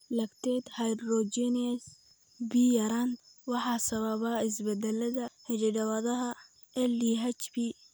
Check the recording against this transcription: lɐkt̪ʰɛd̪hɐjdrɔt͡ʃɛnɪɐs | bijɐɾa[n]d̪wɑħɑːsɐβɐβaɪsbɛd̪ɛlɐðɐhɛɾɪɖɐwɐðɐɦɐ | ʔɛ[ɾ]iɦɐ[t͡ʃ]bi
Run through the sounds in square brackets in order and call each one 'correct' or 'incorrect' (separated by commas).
correct, incorrect, correct